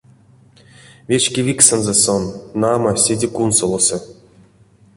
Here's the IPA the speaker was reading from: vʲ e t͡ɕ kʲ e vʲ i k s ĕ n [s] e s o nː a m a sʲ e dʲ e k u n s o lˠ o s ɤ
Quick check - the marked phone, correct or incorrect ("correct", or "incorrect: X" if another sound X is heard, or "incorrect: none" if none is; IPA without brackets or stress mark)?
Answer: incorrect: z